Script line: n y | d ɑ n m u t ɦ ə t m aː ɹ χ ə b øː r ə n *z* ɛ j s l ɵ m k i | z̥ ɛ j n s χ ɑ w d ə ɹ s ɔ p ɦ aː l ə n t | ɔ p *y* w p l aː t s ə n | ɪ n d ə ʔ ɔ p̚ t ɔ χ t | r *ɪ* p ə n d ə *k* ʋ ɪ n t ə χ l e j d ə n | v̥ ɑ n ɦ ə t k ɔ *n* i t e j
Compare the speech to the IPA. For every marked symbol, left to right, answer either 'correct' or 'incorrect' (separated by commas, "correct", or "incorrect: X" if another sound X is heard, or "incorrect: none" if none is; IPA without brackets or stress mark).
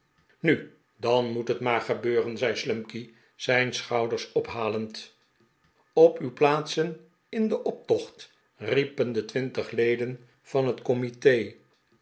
correct, correct, incorrect: i, incorrect: t, incorrect: m